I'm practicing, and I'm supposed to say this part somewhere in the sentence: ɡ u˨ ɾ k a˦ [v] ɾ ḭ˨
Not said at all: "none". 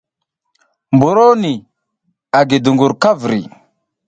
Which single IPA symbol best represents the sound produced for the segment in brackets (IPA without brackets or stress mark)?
v